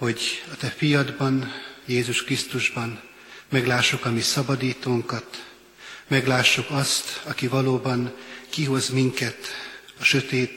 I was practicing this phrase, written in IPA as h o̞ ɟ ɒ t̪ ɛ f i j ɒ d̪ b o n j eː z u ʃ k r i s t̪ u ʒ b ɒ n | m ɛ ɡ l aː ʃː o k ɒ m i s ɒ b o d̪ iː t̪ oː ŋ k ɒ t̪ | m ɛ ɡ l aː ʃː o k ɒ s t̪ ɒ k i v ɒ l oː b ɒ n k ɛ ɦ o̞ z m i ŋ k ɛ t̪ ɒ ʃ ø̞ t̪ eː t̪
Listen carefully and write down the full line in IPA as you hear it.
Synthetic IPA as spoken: h o̞ ɟ ɒ t̪ ɛ f i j ɒ d̪ b ɒ n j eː z u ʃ k r i s t̪ u ʒ b ɒ n | m ɛ ɡ l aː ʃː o k ɒ m i s ɒ b ɒ d̪ iː t̪ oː ŋ k ɒ t̪ | m ɛ ɡ l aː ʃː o k ɒ s t̪ ɒ k i v ɒ l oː b ɒ n k i ɦ o̞ z m i ŋ k ɛ t̪ ɒ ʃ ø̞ t̪ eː t̪